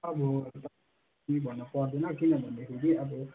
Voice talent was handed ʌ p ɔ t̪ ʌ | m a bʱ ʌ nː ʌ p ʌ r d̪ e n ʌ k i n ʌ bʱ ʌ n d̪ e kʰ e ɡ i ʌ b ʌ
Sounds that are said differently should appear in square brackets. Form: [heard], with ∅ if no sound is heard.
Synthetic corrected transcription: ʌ [b] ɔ t̪ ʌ | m [i] bʱ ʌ nː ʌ p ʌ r d̪ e n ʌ k i n ʌ bʱ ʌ n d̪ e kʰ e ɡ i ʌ b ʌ